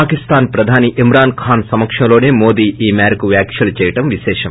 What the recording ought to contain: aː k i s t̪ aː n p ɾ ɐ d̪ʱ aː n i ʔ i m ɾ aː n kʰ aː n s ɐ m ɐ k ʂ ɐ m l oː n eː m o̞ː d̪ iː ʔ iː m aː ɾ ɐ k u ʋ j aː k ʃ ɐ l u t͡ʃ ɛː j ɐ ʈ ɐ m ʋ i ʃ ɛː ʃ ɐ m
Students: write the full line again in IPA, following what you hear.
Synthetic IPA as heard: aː k i s t̪ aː n p ɾ ɐ d̪ʱ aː n i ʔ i m ɾ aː n kʰ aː n s ɐ m ɐ k ʂ ɐ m l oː n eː m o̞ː d̪ iː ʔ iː m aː ɾ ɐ k u ʋ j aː k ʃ ɐ l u t͡ʃ ɛː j ɐ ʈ ɐ m ʋ i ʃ ɛː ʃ ɐ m